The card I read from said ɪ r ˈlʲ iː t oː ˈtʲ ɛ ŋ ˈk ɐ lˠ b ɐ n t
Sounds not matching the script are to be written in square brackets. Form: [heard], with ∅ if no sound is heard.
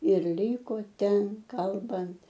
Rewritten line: ɪ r ˈlʲ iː [k] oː ˈtʲ ɛ [n] ˈk ɐ lˠ b ɐ n t